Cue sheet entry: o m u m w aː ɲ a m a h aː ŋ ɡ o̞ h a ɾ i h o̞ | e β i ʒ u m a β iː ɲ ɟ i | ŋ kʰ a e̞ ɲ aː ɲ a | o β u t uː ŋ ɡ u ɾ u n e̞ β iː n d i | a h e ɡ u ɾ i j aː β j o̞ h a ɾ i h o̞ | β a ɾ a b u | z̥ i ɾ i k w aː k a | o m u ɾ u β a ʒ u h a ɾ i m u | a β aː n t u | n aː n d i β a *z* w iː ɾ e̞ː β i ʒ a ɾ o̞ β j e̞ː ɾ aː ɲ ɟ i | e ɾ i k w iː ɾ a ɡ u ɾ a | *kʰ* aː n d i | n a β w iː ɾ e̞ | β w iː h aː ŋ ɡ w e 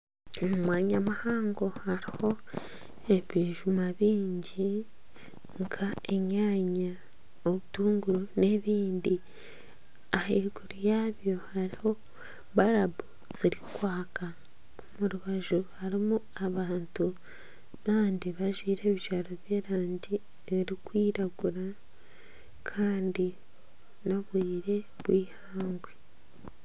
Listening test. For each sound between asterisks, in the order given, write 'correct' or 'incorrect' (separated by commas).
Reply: incorrect, correct